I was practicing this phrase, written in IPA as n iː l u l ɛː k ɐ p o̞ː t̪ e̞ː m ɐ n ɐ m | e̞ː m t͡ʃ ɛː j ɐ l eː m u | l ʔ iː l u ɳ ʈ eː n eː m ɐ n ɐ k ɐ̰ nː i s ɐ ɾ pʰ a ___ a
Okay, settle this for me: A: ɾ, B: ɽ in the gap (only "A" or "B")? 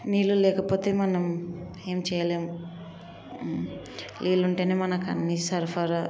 A